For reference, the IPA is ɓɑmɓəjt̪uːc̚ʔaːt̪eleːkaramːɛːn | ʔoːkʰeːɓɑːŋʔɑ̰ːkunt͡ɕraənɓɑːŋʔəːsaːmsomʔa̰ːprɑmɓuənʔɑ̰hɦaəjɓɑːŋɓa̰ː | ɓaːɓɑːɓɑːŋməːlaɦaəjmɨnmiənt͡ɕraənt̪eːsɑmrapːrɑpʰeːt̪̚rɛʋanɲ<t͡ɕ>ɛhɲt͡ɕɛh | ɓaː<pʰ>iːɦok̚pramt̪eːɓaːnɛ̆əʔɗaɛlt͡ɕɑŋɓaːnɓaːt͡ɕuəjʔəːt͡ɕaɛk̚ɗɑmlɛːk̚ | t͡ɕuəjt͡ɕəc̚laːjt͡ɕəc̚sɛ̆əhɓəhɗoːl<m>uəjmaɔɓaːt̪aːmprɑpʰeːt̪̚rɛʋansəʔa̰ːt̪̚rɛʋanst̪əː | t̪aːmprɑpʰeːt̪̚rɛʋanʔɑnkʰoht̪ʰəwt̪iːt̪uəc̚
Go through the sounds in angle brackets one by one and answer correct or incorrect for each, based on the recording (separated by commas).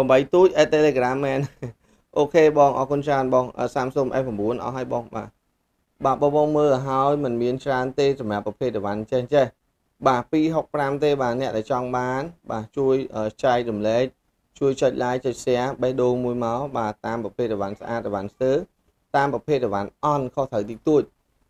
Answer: correct, incorrect, correct